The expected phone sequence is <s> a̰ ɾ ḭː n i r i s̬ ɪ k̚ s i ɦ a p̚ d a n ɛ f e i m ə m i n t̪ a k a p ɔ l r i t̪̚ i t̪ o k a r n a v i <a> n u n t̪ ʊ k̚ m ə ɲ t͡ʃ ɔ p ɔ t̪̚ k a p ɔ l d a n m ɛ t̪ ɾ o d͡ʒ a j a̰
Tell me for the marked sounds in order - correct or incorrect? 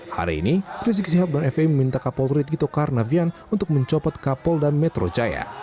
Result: incorrect: h, correct

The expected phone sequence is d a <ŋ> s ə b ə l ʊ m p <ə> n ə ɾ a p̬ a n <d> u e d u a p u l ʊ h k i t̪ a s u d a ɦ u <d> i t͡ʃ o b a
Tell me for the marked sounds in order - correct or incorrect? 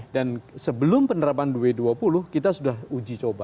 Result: incorrect: n, correct, correct, incorrect: d͡ʒ

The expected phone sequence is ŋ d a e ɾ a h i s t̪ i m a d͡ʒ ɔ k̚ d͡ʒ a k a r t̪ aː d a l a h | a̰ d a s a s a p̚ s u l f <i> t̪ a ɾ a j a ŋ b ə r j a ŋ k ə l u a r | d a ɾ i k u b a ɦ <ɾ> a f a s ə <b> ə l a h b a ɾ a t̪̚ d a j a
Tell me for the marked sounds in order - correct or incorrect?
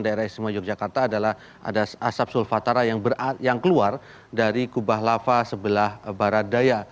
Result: incorrect: a, incorrect: l, correct

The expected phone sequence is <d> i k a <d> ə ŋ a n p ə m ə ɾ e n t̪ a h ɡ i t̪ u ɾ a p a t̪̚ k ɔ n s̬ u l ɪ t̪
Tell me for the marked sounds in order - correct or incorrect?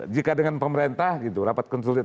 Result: incorrect: d͡ʒ, correct

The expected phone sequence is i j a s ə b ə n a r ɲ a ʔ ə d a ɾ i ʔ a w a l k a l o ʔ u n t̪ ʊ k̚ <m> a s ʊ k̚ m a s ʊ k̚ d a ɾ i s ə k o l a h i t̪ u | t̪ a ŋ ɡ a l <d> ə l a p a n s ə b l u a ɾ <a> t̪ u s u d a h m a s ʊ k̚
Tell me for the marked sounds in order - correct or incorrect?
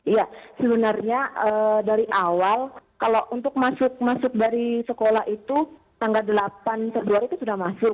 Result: correct, correct, incorrect: i

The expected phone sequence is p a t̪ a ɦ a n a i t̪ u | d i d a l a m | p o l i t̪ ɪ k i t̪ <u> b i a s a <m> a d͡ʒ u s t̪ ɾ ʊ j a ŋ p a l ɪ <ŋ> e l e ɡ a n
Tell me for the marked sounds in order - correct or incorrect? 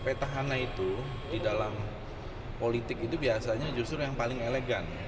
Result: correct, incorrect: ɲ, correct

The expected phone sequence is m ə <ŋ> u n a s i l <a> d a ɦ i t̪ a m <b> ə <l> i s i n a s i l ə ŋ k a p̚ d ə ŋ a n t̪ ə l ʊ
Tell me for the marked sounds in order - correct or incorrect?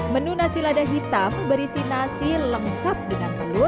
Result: incorrect: n, correct, correct, incorrect: ɾ

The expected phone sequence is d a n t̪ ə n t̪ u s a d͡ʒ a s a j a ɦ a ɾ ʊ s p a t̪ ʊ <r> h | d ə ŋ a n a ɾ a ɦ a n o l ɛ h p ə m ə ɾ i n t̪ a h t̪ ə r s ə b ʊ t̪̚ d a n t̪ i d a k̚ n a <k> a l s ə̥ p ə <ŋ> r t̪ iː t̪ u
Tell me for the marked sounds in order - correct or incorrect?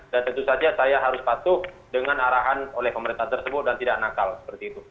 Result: incorrect: none, correct, incorrect: none

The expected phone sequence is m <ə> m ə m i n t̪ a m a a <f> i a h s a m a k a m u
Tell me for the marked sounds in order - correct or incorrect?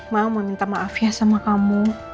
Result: incorrect: a, correct

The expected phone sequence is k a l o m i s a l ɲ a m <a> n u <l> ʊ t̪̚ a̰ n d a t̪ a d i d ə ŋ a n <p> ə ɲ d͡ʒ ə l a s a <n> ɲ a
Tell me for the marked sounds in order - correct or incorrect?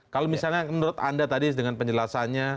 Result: incorrect: ə, incorrect: ɾ, correct, correct

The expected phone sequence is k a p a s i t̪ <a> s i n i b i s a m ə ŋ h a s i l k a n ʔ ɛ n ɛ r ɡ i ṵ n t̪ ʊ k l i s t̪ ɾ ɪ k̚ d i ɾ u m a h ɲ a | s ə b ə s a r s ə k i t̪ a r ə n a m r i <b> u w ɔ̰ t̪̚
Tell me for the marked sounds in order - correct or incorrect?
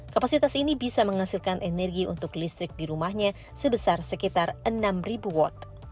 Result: correct, correct

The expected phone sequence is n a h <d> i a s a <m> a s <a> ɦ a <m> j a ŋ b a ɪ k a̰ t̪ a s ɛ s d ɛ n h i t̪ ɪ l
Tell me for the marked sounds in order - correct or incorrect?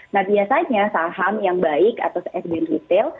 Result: incorrect: b, incorrect: ɲ, correct, correct

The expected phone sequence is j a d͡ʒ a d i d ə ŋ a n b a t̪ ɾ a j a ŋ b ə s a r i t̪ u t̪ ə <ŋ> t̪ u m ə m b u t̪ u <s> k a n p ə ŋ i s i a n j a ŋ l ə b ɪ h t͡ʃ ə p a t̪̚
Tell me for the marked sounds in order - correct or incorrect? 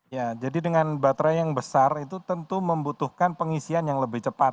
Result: incorrect: n, incorrect: h

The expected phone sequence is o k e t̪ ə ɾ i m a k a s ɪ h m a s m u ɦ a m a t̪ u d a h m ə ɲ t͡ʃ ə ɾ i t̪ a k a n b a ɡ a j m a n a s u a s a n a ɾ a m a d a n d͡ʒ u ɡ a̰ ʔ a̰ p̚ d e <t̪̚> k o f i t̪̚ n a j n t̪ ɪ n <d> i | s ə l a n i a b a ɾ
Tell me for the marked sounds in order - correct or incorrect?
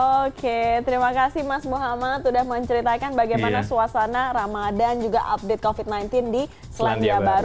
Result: correct, correct

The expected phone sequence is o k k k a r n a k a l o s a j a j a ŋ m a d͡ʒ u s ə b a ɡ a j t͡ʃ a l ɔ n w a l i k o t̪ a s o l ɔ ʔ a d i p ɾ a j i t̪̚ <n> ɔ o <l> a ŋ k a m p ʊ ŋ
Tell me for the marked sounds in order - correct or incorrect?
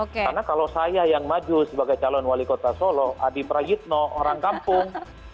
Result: correct, incorrect: ɾ

